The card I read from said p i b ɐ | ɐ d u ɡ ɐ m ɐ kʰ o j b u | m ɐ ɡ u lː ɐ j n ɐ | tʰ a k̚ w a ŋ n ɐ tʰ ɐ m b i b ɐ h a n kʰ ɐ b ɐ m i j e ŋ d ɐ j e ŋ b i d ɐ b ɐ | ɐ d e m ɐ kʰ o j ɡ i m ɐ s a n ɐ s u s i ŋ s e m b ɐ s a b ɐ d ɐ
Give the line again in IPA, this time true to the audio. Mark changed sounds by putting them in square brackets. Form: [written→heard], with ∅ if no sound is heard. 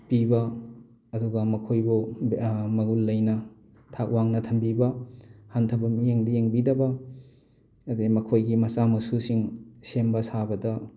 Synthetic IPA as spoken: p i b ɐ | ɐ d u ɡ ɐ m ɐ kʰ o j b u | m ɐ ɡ u lː ɐ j n ɐ | tʰ a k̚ w a ŋ n ɐ tʰ ɐ m b i b ɐ h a n [kʰ→tʰ] ɐ b ɐ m i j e ŋ d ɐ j e ŋ b i d ɐ b ɐ | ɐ d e m ɐ kʰ o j ɡ i m ɐ s a [n→m] ɐ s u s i ŋ s e m b ɐ s a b ɐ d ɐ